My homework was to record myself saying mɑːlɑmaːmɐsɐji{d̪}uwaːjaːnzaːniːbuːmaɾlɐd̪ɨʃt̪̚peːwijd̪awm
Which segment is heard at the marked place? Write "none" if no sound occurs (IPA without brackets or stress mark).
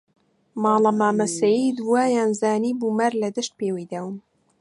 d̪